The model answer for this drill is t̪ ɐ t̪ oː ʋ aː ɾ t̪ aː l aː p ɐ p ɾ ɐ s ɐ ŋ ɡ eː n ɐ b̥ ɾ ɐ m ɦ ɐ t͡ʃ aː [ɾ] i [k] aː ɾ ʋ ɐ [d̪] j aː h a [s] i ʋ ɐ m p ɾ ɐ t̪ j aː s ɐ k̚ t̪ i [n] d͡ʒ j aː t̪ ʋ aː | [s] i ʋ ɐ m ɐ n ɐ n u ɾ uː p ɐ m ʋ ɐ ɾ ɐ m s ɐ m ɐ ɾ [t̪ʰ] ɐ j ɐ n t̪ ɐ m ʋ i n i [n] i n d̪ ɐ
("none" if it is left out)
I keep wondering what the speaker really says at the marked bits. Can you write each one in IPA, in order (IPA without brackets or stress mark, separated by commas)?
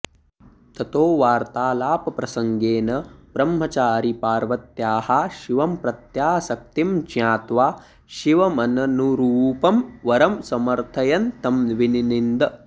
ɾ, p, t̪, ʃ, m, ʃ, t̪ʰ, n